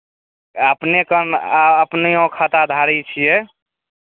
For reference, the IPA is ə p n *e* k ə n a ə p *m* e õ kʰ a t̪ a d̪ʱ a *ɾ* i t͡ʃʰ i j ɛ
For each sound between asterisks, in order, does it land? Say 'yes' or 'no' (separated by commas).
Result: yes, no, yes